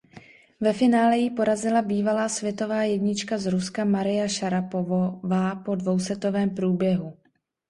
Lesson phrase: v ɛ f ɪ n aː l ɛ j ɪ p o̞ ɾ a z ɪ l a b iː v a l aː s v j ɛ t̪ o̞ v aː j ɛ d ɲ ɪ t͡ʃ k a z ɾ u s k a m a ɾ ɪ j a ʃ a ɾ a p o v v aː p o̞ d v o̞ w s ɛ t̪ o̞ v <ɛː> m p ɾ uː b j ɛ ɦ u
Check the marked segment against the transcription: correct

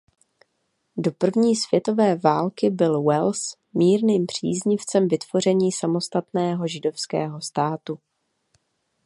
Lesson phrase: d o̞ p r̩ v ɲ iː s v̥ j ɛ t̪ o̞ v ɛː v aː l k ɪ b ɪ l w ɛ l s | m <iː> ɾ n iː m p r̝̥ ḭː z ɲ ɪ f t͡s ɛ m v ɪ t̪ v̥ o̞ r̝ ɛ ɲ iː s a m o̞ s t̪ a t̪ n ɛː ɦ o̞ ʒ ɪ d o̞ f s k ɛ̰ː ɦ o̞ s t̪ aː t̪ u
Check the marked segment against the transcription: correct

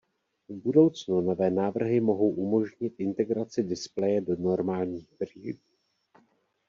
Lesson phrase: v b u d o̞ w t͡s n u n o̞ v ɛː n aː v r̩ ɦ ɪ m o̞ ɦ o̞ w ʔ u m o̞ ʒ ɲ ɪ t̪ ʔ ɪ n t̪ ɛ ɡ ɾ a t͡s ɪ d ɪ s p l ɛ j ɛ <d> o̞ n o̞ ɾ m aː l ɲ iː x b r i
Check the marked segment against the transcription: correct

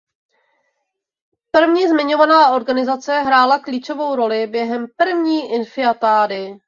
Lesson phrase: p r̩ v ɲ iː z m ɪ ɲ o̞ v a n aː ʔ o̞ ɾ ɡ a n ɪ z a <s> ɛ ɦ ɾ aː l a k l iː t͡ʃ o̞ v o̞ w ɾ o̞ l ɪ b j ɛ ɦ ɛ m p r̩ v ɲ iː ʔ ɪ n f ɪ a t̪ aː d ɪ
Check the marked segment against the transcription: incorrect: t͡s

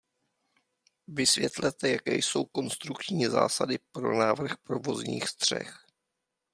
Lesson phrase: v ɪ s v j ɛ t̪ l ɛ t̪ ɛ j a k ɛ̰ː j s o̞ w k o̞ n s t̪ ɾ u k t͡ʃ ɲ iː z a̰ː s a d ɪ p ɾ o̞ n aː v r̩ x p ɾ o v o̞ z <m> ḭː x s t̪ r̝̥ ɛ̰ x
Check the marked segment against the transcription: incorrect: ɲ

